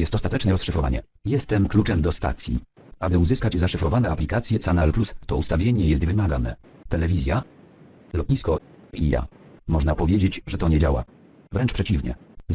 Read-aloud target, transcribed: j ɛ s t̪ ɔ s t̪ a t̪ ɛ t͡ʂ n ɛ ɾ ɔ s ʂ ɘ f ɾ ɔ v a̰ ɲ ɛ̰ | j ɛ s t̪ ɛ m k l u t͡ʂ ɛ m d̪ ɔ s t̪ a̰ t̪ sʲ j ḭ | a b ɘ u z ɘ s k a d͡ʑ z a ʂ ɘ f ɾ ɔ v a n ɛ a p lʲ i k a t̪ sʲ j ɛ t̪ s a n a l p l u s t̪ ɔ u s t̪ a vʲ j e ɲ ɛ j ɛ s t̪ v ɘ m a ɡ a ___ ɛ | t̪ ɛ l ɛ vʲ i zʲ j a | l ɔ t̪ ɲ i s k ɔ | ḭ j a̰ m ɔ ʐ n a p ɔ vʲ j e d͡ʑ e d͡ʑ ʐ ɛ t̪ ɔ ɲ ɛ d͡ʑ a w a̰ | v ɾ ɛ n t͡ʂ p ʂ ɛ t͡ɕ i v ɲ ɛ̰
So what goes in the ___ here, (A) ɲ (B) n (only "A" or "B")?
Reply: B